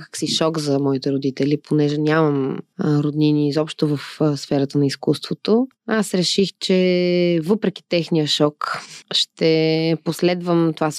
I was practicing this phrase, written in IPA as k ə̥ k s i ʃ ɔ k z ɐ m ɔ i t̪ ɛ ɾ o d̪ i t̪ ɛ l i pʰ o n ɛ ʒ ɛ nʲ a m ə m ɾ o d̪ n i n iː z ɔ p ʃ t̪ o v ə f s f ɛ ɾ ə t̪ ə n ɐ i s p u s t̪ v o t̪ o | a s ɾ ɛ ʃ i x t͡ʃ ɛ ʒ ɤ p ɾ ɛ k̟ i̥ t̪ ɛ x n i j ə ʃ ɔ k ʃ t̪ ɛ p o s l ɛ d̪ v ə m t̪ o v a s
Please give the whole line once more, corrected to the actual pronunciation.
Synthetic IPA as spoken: k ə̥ k s i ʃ ɔ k z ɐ m ɔ i t̪ ɛ ɾ o d̪ i t̪ ɛ l i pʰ o n ɛ ʒ ɛ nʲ a m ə m ɾ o d̪ n i n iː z ɔ p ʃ t̪ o v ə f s f ɛ ɾ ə t̪ ə n ɐ i s k u s t̪ v o t̪ o | a s ɾ ɛ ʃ i x t͡ʃ ɛ v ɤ p ɾ ɛ k̟ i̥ t̪ ɛ x n i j ə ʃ ɔ k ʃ t̪ ɛ p o s l ɛ d̪ v ə m t̪ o v a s